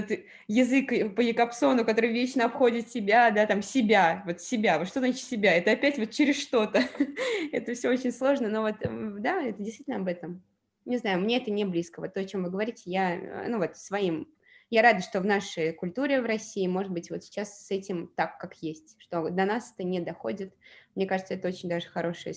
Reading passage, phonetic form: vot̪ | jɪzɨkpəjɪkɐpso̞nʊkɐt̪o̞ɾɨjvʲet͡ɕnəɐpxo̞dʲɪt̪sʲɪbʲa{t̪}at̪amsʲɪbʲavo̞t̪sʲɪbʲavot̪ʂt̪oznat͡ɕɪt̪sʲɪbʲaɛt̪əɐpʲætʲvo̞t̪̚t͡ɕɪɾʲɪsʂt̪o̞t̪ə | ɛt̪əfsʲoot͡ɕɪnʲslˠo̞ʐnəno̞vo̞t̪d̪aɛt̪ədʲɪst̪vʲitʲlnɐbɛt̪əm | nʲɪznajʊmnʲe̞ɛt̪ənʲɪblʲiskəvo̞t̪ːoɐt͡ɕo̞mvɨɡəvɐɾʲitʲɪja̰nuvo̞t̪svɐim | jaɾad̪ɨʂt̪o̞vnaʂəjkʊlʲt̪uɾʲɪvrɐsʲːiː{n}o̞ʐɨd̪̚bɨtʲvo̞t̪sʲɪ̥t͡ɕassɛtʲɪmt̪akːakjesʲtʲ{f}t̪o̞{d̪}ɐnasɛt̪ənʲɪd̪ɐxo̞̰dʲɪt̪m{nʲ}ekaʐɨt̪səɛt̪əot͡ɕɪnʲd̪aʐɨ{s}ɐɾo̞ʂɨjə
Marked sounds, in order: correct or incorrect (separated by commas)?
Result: incorrect, incorrect, incorrect, correct, correct, incorrect